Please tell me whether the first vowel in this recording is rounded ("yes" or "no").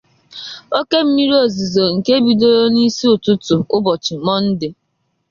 yes